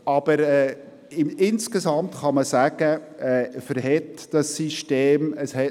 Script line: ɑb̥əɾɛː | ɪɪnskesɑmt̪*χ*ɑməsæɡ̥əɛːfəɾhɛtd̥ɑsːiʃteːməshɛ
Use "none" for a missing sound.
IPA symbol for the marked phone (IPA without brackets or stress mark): χ